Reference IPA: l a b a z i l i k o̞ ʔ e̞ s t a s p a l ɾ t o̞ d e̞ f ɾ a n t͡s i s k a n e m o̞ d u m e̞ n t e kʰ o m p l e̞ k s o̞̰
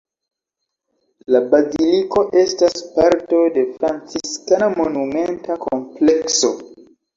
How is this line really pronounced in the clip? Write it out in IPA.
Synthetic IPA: l a b a z i l i k o̞ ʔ e̞ s t a s p a ɾ t o̞ d e̞ f ɾ a n t͡s i s k a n a m o̞ n u m e̞ n t a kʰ o m p l e̞ k s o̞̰